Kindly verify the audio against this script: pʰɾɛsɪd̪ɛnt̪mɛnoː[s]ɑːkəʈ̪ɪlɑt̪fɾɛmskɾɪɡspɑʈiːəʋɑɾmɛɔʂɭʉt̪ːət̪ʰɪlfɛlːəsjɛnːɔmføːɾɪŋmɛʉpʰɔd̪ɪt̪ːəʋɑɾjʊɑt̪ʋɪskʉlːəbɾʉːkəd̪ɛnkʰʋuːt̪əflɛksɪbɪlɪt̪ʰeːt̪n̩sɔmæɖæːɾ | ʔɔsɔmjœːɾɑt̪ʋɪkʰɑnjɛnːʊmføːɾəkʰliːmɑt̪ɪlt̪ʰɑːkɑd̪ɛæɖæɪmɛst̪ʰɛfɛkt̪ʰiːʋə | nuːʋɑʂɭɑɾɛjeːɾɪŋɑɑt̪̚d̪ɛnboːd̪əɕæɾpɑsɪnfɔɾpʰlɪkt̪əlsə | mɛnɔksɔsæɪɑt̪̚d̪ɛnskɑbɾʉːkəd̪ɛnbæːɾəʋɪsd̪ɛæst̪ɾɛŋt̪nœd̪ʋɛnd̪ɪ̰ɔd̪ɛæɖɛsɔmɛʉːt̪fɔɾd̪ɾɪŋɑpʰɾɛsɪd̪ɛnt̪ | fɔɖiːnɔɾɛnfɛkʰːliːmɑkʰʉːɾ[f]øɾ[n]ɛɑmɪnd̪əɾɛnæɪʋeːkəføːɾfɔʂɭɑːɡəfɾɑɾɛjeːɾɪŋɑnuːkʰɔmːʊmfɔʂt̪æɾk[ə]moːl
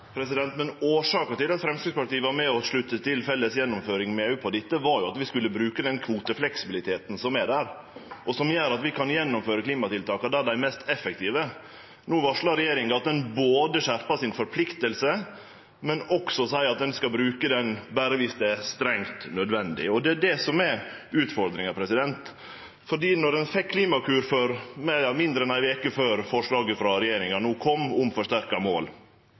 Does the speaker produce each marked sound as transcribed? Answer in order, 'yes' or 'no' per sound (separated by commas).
no, yes, no, no